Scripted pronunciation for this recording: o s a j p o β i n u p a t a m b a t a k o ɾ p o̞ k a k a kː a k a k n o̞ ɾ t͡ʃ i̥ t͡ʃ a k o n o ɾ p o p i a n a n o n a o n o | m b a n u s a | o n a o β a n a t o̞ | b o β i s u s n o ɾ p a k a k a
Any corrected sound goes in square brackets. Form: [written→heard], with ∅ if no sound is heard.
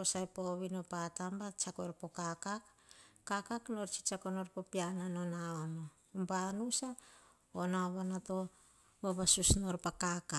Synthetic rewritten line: o s a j p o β i n [u→o] p a t a m b a [t→t͡ʃ] a k o ɾ p o̞ k a k a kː a k a k n o̞ ɾ t͡ʃ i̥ t͡ʃ a k o n o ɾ p o p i a n a n o n a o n o | m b a n u s a | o n a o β a n a t o̞ | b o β [i→a] s u s n o ɾ p a k a k a